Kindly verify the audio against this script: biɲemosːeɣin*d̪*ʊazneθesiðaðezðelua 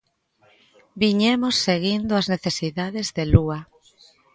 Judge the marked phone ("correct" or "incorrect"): correct